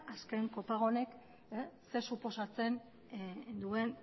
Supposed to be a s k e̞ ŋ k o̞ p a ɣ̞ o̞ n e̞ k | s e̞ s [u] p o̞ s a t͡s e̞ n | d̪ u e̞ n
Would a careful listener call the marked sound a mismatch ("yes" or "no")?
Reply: no